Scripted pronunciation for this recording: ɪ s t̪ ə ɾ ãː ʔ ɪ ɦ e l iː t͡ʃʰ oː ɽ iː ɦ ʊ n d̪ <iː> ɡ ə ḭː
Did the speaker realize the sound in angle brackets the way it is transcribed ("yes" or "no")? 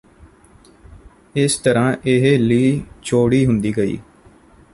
yes